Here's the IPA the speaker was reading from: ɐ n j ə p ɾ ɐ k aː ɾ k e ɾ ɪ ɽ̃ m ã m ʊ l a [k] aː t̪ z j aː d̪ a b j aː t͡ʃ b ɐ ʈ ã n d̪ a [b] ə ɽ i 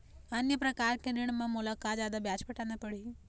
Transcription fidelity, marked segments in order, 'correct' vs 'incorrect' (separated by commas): correct, incorrect